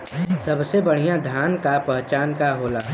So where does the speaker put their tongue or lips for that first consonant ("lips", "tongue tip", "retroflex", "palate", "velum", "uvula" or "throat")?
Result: tongue tip